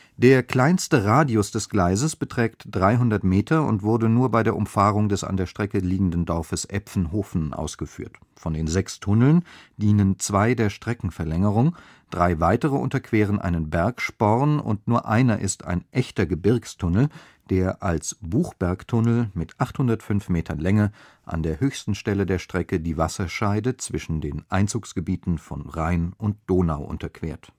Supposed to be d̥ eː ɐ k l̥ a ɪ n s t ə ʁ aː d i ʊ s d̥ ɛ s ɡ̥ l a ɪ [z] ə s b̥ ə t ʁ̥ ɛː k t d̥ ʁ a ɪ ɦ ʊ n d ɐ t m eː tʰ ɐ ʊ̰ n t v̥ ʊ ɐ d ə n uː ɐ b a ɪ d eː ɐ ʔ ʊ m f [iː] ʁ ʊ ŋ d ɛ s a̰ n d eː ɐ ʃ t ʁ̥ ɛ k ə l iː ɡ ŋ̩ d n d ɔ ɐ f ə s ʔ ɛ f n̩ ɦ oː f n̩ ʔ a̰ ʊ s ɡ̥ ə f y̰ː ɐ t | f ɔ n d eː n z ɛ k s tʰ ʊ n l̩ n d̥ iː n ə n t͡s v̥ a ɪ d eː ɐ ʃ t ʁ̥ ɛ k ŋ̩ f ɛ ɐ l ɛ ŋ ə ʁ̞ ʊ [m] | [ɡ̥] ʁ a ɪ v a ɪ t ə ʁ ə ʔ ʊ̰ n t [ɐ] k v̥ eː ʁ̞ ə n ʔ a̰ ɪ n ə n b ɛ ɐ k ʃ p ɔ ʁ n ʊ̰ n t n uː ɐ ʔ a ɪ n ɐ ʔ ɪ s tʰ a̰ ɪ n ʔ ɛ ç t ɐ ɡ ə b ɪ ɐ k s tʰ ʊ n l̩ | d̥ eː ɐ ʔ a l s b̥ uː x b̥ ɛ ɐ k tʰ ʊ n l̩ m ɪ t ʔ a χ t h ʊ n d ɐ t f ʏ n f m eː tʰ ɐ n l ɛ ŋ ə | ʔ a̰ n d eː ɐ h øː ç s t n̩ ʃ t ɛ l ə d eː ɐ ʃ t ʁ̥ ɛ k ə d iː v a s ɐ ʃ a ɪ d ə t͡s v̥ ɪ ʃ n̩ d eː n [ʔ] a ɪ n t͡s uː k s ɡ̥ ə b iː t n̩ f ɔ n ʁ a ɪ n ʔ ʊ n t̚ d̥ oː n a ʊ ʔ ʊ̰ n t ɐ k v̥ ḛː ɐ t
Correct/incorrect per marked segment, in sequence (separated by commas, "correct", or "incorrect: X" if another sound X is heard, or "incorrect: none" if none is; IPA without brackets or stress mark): correct, incorrect: aː, incorrect: ŋ, incorrect: d̥, correct, correct